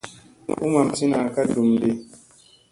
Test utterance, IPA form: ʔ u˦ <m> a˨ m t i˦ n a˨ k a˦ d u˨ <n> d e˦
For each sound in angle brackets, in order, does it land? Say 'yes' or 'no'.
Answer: yes, no

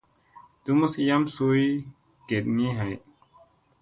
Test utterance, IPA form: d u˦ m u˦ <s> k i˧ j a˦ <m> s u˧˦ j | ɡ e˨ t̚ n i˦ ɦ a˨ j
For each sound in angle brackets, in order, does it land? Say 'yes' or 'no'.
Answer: yes, yes

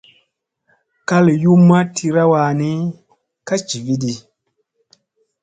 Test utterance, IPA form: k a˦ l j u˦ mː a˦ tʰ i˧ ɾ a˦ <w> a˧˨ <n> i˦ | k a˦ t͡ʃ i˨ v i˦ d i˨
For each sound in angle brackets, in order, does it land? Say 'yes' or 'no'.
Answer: yes, yes

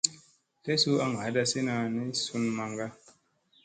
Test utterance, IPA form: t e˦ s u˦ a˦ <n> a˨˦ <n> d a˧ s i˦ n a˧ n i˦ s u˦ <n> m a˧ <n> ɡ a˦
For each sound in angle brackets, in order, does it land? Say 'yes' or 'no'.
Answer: no, no, yes, no

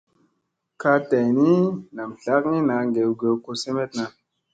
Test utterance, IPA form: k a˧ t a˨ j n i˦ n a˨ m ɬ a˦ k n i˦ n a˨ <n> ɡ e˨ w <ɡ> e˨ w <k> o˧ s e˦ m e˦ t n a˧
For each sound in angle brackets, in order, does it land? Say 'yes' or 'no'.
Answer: no, yes, yes

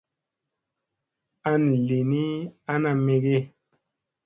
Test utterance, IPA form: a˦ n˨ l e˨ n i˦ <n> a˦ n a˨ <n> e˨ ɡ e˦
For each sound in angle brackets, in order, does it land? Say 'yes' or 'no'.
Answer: no, no

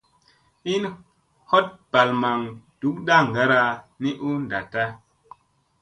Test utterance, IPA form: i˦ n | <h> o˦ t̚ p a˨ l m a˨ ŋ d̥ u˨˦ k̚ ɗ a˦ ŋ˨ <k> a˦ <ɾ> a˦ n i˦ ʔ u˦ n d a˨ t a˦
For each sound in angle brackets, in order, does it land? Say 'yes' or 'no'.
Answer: yes, no, yes

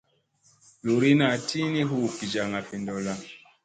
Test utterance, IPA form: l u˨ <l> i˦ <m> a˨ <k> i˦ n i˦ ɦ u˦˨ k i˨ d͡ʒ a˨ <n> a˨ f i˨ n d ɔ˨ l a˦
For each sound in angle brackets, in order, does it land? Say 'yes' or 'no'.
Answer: no, no, no, no

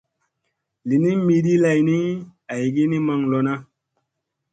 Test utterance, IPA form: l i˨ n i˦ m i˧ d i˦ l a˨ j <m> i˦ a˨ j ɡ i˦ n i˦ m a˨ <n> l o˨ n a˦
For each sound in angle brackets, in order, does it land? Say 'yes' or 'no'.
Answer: no, no

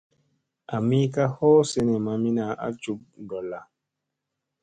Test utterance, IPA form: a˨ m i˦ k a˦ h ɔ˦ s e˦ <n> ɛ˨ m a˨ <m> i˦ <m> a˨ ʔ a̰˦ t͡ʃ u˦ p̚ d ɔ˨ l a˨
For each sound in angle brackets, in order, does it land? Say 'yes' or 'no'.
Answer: yes, yes, no

